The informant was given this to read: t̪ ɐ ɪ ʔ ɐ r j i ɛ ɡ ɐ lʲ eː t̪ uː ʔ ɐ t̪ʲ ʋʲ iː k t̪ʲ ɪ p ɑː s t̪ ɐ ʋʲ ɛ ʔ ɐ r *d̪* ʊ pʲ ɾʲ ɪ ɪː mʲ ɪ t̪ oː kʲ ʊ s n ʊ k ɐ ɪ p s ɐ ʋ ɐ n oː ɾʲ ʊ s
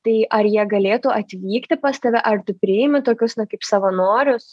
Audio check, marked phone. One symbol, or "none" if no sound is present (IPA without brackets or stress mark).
t̪